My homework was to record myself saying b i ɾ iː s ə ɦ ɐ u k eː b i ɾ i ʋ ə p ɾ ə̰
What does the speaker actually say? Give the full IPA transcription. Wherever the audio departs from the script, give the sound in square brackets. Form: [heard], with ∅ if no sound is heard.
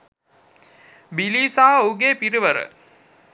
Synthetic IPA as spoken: b i [l] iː s [a] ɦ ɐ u [ɡ] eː [p] i ɾ i ʋ ə [∅] ɾ ə̰